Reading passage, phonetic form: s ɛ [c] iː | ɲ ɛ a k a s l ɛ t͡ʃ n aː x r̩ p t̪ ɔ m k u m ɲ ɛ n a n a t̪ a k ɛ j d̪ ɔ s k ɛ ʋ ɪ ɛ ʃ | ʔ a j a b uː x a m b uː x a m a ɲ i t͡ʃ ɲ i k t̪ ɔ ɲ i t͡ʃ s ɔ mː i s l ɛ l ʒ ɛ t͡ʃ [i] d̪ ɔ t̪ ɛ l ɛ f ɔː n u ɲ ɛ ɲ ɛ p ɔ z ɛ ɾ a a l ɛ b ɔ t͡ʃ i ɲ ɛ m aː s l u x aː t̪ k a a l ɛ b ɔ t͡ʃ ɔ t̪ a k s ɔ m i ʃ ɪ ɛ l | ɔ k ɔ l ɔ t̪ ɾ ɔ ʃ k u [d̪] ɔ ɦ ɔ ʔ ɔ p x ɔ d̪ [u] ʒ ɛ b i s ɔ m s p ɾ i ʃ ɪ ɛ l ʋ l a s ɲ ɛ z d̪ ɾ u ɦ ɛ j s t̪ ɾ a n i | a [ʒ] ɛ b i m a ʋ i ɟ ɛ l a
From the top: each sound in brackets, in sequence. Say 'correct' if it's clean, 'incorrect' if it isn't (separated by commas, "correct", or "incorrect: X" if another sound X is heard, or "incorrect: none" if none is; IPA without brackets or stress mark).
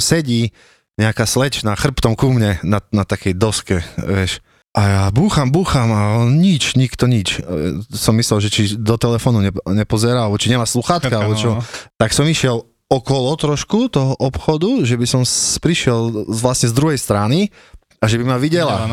incorrect: ɟ, correct, incorrect: t̪, correct, correct